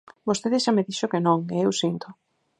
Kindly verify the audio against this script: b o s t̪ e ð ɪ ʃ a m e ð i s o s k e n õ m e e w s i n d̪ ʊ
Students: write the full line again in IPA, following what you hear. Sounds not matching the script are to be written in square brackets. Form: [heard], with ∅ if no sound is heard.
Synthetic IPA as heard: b o s t̪ e ð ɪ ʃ a m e ð i [ʃ] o [∅] k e n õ [ŋ] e e w s i n [t̪] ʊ